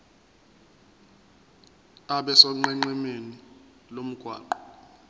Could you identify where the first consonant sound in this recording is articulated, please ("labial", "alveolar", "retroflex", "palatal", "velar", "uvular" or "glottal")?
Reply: labial